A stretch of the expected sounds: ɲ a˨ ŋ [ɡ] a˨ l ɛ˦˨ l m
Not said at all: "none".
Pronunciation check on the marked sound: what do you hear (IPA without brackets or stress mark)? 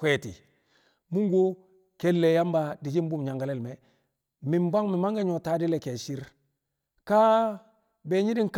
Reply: ɡ